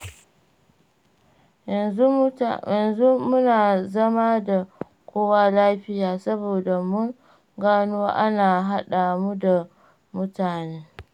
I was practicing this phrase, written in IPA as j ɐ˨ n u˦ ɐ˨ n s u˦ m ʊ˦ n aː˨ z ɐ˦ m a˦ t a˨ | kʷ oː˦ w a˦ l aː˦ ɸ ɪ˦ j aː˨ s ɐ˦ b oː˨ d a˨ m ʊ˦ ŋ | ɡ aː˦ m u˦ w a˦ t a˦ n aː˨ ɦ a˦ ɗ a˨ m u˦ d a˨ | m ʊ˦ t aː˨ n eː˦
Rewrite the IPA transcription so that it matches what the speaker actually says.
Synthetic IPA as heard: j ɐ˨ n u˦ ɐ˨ n z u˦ m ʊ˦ n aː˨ z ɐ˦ m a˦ d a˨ | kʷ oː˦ w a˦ l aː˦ ɸ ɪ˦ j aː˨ s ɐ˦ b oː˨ d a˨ m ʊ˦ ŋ | ɡ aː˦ n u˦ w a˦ ʔ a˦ n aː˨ ɦ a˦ ɗ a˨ m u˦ d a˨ | m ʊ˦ t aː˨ n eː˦